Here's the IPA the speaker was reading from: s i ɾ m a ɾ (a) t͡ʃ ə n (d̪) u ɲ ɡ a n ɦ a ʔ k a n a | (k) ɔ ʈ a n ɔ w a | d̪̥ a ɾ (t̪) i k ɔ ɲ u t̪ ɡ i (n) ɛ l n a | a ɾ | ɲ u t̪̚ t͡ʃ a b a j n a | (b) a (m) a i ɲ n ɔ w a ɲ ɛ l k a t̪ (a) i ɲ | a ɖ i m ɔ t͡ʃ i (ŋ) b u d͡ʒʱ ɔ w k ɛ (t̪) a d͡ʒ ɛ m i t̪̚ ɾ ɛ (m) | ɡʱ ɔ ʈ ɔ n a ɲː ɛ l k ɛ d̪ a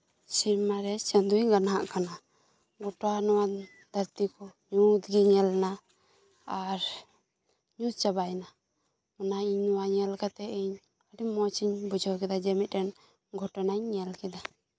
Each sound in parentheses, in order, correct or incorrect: incorrect, correct, incorrect, correct, incorrect, incorrect, incorrect, incorrect, incorrect, incorrect, incorrect

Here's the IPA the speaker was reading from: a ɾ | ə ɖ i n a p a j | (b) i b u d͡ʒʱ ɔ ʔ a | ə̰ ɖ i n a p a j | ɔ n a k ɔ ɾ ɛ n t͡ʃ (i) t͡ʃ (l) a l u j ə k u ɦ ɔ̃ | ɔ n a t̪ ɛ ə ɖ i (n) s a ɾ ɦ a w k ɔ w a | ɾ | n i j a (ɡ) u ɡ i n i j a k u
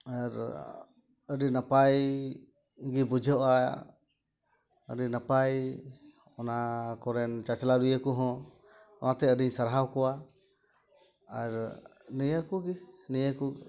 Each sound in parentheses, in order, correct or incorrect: incorrect, incorrect, correct, incorrect, incorrect

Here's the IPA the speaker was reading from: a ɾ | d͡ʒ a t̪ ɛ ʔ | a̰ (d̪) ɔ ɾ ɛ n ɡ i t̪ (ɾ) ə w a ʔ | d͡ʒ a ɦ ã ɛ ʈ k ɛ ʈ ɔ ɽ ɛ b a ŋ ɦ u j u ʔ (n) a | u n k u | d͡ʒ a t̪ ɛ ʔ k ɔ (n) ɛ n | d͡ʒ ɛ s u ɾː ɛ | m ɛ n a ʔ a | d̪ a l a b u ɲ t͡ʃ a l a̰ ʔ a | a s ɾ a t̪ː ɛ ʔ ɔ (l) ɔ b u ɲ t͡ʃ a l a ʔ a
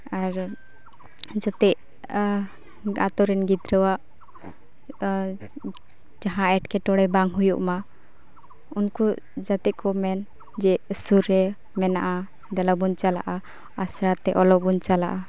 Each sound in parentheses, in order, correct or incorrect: incorrect, correct, incorrect, incorrect, correct

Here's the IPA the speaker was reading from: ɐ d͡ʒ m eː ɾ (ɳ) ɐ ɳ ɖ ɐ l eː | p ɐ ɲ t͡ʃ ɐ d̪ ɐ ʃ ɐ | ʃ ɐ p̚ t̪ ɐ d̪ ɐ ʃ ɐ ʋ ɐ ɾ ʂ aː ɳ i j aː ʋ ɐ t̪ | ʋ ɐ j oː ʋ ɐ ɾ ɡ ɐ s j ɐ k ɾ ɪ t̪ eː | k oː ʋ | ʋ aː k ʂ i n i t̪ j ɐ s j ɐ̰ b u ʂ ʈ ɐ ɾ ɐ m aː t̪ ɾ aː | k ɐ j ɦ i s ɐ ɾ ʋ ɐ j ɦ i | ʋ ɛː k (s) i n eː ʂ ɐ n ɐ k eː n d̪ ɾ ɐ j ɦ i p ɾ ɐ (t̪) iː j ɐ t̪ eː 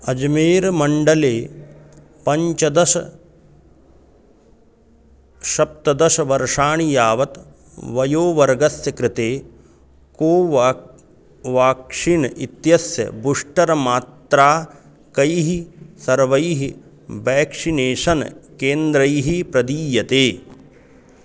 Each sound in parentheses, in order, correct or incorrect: incorrect, incorrect, incorrect

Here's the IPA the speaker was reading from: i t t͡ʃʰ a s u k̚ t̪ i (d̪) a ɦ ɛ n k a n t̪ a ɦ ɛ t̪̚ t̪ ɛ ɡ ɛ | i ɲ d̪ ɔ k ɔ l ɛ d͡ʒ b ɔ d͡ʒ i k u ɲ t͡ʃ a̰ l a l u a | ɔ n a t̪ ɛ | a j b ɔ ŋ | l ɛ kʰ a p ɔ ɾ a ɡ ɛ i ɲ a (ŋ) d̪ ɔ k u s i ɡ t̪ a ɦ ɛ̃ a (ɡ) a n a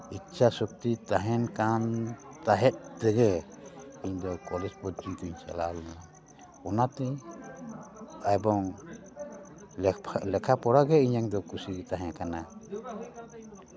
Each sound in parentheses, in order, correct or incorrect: incorrect, correct, incorrect

